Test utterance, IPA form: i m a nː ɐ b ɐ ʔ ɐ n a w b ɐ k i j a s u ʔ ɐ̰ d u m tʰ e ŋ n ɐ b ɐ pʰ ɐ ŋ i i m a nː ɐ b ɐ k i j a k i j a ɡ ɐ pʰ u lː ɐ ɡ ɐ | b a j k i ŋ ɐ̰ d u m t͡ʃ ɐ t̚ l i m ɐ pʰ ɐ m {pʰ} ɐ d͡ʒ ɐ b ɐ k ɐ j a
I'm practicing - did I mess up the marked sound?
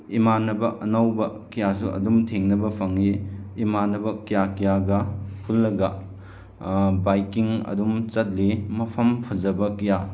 no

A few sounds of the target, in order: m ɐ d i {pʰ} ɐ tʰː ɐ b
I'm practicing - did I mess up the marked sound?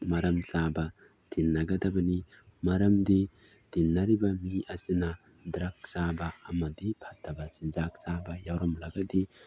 no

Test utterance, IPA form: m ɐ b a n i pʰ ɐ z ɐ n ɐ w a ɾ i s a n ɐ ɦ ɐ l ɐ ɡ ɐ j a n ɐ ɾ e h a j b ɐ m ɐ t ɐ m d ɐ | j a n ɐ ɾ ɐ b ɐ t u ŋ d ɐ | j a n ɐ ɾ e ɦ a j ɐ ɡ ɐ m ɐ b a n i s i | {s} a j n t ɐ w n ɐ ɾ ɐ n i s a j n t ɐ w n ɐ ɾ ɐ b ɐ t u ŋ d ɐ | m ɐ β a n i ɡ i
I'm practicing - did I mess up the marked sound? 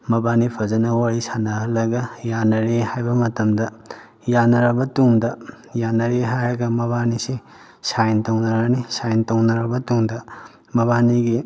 no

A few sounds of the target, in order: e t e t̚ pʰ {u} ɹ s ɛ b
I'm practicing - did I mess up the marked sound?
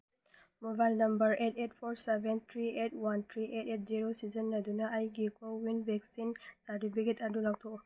yes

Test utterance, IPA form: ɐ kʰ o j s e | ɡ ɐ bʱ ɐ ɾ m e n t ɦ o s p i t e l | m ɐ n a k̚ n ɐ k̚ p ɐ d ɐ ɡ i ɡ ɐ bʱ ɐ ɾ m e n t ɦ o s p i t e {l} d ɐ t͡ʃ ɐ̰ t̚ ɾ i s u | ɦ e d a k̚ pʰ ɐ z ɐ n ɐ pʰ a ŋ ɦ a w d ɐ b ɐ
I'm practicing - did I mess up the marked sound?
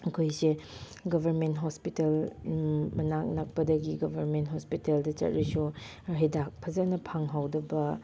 no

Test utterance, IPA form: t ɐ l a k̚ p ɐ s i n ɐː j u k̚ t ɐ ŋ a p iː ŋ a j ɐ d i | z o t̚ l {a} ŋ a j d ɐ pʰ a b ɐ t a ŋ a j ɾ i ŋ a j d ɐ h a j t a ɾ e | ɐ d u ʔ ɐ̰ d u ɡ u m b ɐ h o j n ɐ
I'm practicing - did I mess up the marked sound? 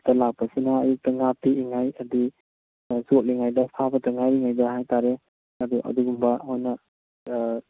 yes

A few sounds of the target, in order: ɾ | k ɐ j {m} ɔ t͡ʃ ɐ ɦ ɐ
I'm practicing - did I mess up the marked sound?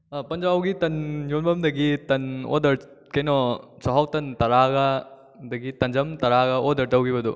yes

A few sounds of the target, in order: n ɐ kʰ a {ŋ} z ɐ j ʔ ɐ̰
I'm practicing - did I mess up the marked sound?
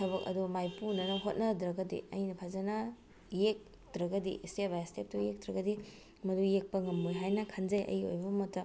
yes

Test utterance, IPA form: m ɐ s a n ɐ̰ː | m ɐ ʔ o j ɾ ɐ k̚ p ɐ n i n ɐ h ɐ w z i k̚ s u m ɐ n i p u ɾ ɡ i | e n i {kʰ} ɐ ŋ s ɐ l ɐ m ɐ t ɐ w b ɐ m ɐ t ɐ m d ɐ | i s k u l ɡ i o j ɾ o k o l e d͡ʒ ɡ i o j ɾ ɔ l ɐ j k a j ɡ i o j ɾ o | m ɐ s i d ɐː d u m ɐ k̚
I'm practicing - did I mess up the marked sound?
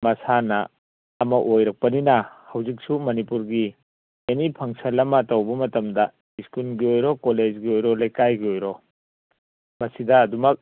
yes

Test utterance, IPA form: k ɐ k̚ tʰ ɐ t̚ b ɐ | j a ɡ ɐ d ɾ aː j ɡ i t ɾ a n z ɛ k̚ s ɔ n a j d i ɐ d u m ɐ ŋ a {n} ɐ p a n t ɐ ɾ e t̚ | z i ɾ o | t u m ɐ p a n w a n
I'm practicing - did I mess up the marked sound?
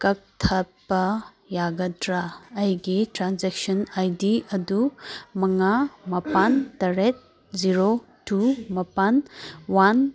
yes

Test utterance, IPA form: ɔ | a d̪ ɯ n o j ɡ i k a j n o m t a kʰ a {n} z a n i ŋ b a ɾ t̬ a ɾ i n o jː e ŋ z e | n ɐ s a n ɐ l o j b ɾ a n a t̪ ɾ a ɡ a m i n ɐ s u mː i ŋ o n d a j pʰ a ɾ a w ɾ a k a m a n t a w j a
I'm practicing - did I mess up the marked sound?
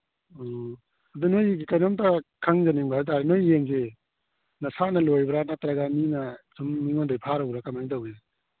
yes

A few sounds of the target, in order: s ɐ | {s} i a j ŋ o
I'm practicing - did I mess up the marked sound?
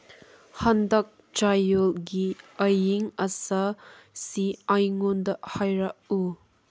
no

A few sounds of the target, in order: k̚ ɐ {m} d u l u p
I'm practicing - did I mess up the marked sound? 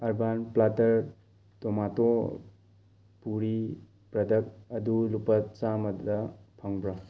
yes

